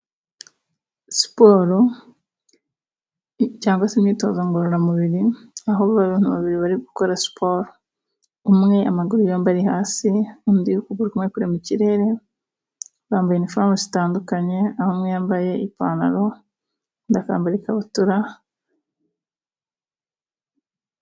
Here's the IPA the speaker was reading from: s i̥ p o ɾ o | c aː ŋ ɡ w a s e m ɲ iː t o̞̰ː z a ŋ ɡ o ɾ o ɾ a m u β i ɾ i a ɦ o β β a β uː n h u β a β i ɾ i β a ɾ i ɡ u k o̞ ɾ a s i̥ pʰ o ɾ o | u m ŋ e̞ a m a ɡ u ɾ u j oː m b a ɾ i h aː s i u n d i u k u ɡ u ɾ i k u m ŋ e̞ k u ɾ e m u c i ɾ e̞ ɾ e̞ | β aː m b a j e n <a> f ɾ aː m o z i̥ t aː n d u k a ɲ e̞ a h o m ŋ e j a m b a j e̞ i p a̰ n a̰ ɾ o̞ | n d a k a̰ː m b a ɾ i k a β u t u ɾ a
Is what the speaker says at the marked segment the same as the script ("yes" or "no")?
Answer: no